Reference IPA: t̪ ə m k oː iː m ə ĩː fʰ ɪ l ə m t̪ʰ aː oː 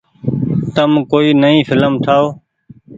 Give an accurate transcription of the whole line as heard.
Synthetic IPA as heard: t̪ ə m k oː iː n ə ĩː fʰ ɪ l ə m t̪ʰ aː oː